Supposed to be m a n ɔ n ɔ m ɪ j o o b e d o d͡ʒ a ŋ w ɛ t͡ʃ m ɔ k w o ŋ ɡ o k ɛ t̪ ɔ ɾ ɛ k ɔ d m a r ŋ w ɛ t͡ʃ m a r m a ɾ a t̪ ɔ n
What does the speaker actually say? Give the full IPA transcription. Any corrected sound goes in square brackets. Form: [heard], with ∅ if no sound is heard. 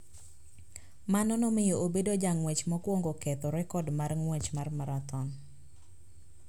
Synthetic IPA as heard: m a n ɔ n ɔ m ɪ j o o b e d o d͡ʒ a ŋ w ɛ t͡ʃ m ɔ k w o ŋ ɡ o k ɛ t̪ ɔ ɾ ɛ k ɔ d m a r ŋ w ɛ t͡ʃ m a r m a ɾ a t̪ ɔ n